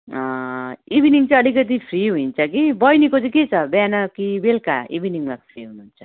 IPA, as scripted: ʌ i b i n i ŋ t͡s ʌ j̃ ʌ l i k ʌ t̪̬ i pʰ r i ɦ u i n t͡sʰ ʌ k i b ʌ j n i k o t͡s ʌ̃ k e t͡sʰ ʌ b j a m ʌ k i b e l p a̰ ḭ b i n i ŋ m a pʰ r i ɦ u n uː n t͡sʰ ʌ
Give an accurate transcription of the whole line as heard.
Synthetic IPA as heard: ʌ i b i n i ŋ t͡s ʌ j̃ ʌ l i k ʌ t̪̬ i pʰ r i ɦ u i n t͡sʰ ʌ k i b ʌ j n i k o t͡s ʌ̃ k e t͡sʰ ʌ b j a n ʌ k i b e l k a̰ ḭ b i n i ŋ m a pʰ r i ɦ u n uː n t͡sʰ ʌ